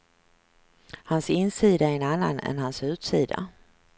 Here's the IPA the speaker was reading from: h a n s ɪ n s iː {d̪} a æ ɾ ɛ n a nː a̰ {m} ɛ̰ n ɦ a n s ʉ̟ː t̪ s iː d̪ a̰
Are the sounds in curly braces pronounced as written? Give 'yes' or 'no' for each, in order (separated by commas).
yes, no